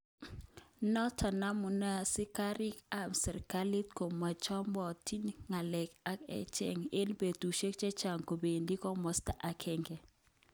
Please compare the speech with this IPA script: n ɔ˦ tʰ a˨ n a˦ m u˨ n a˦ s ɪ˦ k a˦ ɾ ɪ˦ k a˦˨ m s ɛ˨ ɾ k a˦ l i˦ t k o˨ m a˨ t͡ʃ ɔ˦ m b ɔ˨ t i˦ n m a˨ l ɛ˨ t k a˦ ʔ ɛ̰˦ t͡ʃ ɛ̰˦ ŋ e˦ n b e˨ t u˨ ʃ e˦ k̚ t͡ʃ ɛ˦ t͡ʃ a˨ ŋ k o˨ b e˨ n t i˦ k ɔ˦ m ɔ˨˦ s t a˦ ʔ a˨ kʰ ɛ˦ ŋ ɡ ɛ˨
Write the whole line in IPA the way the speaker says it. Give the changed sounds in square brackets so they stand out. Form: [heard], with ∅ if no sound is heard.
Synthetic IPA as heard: n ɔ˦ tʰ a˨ n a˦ m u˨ n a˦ s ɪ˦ k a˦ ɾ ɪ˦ k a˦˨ m s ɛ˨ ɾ k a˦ l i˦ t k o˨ m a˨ t͡ʃ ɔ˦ m b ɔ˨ t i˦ n [ŋ] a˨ l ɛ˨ [∅] k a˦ [k] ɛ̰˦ t͡ʃ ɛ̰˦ ŋ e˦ n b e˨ t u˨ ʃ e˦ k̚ t͡ʃ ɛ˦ t͡ʃ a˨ ŋ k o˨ b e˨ n [d] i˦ k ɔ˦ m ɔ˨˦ s t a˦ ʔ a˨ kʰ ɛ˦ ŋ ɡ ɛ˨

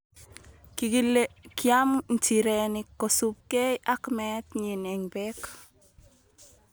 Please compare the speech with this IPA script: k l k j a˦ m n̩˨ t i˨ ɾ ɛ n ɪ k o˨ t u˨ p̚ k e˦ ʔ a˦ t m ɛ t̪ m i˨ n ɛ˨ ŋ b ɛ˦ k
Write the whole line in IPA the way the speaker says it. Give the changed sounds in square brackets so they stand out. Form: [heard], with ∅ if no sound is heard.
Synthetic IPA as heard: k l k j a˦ m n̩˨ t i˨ ɾ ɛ n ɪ k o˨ [s] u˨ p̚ k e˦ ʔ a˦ [k] m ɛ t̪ [ɲ] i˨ n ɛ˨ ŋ b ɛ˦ k

